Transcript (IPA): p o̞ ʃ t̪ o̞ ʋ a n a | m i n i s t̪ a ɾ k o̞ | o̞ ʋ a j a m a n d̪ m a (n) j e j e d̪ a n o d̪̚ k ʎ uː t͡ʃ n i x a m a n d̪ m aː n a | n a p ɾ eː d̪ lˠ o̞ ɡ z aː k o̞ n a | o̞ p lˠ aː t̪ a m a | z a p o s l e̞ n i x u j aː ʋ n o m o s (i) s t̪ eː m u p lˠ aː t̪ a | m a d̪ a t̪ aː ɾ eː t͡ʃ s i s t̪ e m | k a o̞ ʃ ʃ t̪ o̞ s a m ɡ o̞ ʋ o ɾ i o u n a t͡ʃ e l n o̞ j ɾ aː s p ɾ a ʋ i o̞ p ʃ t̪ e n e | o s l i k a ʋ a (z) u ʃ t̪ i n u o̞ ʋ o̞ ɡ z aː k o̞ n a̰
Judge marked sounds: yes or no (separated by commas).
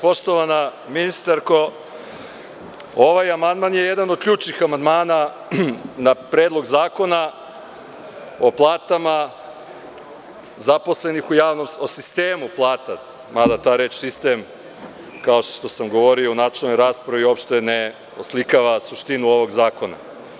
yes, yes, no